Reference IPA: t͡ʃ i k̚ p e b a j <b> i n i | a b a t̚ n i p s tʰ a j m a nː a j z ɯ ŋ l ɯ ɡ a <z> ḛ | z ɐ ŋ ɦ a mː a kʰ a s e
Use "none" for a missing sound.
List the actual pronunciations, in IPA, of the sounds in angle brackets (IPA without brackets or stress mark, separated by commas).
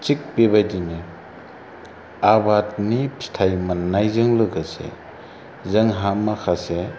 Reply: d, s